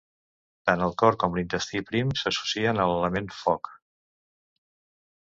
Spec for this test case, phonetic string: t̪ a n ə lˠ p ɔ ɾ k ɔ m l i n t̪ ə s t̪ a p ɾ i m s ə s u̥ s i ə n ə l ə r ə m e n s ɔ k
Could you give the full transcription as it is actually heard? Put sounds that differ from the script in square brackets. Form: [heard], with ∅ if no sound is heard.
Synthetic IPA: t̪ a n ə lˠ [k] ɔ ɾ k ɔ m l i n t̪ ə s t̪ [i] p ɾ i m s ə s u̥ s i ə n ə l ə [l] ə m e n [f] ɔ k